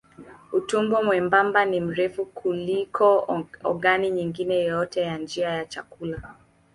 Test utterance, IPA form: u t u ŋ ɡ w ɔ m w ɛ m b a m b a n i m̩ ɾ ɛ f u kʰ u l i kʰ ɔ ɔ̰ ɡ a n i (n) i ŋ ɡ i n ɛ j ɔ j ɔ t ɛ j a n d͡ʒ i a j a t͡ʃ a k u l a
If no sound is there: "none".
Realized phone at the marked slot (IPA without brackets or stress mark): ɲ